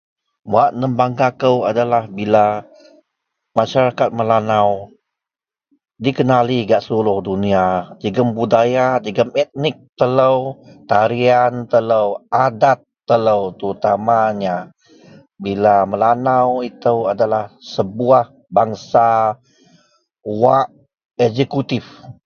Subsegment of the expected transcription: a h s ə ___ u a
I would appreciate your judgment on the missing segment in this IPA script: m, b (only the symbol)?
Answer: b